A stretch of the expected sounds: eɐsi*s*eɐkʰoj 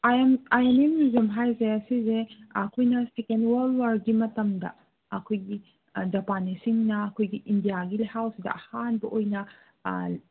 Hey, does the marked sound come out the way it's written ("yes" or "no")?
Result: no